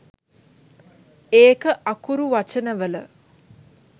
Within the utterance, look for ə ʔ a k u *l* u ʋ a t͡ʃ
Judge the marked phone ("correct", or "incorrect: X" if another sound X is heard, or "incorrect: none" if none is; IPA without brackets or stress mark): incorrect: ɾ